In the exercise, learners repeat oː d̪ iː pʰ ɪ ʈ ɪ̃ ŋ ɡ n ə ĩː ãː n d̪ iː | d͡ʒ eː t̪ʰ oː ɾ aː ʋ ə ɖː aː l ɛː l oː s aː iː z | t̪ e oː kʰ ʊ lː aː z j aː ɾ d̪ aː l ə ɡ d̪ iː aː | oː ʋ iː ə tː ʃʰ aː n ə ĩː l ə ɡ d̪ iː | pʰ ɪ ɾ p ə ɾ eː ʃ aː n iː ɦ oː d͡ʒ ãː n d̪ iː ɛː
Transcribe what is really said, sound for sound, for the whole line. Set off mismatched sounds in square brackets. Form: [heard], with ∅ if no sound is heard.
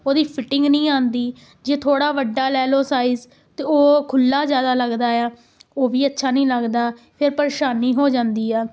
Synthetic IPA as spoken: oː d̪ iː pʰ ɪ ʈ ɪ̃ ŋ ɡ n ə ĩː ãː n d̪ iː | d͡ʒ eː t̪ʰ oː [ɽ] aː ʋ ə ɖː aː l ɛː l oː s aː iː z | t̪ e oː kʰ ʊ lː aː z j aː [∅] d̪ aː l ə ɡ d̪ [aː] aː | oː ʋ iː ə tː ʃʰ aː n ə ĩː l ə ɡ d̪ [aː] | pʰ ɪ ɾ p ə ɾ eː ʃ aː n iː ɦ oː d͡ʒ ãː n d̪ iː ɛː